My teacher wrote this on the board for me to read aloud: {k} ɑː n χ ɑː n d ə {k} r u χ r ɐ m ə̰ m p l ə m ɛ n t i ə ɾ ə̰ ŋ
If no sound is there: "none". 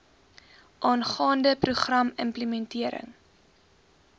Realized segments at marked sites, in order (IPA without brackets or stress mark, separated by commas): ʔ, p